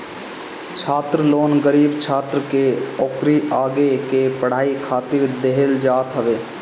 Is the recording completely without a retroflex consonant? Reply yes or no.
no